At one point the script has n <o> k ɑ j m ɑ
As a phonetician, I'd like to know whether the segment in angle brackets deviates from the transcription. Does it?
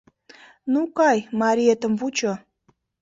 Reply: yes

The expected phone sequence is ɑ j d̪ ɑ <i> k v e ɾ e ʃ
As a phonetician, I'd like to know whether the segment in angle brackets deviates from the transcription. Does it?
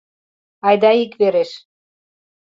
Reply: no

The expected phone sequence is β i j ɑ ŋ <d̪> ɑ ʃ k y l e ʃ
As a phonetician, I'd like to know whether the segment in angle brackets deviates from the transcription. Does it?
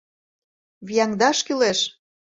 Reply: no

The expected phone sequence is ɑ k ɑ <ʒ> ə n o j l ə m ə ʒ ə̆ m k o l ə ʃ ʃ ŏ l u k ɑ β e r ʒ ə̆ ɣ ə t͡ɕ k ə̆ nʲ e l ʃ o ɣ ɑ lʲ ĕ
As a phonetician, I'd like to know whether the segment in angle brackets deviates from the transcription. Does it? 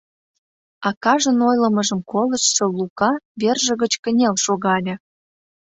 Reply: no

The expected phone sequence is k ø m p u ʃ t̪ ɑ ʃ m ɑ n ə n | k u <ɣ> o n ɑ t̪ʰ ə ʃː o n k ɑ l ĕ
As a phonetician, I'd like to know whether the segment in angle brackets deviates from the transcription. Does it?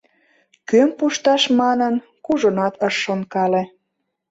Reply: yes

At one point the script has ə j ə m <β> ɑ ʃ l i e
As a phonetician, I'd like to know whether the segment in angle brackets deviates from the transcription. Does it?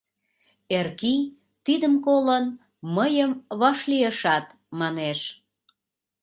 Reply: no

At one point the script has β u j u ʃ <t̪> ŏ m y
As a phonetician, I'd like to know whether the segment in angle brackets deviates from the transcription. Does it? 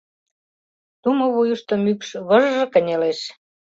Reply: no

